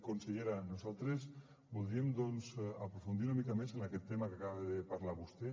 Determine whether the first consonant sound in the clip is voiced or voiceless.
voiceless